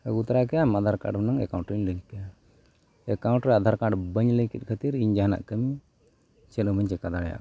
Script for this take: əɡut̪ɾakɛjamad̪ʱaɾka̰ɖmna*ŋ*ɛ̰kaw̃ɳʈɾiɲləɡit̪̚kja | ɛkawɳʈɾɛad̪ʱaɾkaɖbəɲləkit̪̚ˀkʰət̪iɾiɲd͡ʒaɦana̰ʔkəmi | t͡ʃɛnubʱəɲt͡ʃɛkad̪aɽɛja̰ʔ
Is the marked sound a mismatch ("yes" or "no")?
no